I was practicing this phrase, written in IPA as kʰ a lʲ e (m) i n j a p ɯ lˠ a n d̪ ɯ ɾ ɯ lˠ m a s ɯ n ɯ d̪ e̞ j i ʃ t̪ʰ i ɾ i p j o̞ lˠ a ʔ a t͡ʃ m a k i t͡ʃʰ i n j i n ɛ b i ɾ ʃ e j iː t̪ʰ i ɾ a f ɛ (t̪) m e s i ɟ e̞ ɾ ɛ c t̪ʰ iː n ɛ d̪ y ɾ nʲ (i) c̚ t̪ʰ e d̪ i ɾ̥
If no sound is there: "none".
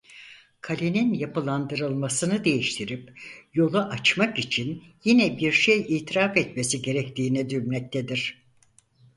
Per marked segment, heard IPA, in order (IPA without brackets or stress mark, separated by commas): n, t̪, ɛ